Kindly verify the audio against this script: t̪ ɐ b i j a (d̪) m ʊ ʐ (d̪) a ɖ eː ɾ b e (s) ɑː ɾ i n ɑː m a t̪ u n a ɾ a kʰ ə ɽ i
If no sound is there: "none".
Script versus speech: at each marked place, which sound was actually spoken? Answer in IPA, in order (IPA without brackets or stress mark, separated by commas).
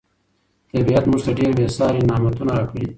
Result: t̪, t̪, s